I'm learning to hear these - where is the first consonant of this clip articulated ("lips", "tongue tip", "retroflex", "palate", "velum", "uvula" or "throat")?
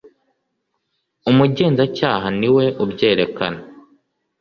lips